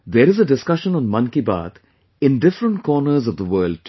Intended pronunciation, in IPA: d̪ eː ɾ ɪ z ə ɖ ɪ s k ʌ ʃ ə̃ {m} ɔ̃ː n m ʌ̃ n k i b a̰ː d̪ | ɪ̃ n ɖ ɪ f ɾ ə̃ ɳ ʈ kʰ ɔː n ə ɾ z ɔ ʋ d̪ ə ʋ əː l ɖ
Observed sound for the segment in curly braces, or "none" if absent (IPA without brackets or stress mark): n